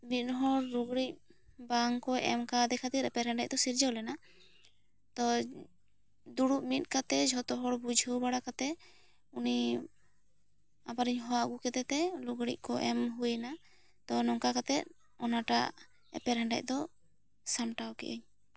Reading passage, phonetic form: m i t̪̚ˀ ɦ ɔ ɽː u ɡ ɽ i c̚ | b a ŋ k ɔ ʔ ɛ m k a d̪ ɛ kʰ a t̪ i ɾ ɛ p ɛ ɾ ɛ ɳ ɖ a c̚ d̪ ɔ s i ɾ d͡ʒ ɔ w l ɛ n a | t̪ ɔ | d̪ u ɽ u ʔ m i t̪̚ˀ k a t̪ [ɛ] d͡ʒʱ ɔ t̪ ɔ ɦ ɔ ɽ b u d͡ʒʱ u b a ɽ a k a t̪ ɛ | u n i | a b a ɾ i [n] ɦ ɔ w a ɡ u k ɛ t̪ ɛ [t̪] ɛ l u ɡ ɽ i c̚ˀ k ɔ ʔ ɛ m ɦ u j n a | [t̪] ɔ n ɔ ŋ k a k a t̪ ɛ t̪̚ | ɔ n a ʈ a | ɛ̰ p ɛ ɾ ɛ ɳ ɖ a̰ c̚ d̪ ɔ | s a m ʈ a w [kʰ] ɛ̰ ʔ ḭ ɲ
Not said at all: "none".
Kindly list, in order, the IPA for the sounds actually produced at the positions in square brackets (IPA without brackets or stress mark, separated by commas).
ɛ, ɲ, t̪, t̪, k